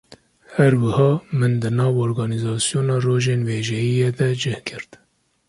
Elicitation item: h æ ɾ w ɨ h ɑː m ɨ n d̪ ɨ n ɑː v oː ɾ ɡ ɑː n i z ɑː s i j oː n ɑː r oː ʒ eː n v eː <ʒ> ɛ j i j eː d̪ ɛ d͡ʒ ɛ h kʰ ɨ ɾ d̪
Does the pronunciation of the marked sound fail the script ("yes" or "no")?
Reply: no